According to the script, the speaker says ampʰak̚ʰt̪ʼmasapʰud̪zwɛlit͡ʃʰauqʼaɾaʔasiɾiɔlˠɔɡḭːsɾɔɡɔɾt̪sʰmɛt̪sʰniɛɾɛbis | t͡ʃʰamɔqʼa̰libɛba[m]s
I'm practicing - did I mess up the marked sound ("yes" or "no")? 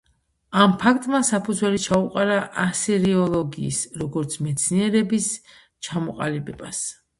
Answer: yes